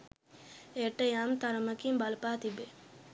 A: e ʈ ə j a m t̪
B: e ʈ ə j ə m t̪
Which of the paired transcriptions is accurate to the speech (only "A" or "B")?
A